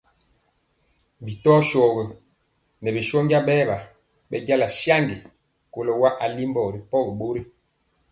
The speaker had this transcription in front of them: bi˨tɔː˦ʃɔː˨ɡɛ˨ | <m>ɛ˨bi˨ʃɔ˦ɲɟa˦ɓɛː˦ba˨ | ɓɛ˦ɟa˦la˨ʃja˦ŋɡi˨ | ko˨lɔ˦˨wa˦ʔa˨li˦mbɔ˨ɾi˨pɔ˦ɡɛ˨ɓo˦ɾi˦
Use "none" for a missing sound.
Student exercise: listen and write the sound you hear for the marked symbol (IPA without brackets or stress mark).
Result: n